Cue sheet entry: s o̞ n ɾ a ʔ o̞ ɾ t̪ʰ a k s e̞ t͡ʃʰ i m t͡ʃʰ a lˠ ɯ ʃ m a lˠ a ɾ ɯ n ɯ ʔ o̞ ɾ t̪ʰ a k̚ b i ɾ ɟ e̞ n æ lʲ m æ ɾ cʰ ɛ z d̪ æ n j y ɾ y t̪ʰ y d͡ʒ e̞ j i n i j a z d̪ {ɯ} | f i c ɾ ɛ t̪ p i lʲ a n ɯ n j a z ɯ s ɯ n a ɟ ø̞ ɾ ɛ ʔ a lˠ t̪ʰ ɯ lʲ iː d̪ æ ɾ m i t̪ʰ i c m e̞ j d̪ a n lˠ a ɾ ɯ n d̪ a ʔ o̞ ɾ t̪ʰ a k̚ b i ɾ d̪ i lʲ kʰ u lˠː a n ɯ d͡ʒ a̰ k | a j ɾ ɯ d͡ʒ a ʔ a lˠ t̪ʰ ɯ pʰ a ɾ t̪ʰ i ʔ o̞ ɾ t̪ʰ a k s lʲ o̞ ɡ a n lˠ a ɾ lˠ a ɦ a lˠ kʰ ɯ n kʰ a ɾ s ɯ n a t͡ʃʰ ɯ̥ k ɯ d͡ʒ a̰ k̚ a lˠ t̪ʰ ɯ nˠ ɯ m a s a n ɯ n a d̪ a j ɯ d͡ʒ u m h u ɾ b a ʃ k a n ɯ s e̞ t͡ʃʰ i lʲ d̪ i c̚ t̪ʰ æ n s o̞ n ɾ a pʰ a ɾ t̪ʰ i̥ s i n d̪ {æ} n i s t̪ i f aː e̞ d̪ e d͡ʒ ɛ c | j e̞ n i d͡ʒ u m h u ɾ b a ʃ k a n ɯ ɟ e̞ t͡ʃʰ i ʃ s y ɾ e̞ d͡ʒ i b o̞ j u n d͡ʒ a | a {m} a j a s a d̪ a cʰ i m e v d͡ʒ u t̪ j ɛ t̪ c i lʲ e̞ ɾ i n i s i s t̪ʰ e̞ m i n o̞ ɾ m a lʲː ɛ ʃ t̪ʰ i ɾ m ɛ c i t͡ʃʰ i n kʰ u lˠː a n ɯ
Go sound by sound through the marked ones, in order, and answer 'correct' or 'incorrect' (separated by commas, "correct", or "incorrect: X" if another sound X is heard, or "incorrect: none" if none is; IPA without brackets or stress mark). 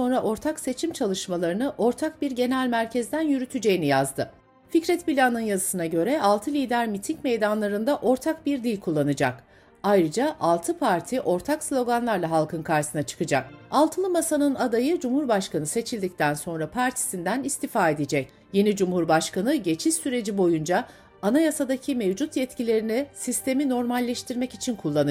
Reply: correct, correct, incorrect: n